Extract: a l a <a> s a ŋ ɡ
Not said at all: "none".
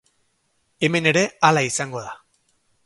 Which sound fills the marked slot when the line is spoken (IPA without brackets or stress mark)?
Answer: i